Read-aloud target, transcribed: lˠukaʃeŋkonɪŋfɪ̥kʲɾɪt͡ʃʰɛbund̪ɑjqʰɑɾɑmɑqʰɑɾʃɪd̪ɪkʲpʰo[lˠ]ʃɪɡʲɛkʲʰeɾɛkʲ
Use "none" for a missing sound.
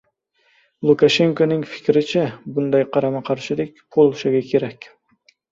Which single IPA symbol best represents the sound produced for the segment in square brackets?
lˠ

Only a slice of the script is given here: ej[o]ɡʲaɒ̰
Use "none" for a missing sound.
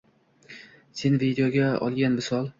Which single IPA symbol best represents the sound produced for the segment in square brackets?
o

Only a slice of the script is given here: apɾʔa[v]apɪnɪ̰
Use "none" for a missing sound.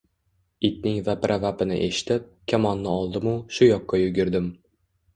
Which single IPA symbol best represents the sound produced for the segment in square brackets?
v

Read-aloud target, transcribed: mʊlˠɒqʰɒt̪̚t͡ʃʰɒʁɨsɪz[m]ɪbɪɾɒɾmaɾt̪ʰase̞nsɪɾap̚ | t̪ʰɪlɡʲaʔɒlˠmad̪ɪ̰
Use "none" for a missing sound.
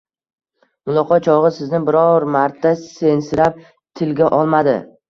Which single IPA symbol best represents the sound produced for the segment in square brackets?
n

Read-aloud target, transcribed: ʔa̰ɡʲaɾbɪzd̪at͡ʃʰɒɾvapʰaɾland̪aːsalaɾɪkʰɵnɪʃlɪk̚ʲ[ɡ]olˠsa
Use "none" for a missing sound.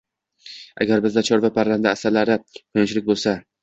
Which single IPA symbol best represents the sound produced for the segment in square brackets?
b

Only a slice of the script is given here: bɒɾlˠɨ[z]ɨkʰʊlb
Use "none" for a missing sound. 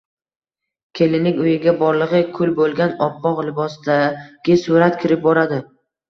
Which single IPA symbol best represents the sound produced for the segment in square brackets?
ʁ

